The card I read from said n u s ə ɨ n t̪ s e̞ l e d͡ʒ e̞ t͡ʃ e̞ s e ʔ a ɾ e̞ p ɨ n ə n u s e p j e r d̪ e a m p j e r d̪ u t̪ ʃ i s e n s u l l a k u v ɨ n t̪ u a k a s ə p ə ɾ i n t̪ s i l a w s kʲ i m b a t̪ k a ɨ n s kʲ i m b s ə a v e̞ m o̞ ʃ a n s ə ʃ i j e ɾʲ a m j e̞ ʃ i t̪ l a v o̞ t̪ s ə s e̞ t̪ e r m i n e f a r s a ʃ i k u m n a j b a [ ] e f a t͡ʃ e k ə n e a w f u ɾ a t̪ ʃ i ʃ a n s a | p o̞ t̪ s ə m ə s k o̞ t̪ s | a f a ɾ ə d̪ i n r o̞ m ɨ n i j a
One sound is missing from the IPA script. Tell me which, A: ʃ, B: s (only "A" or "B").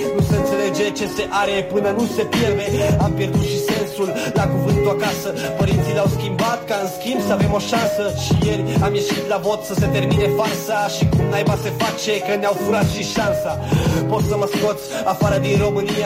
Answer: B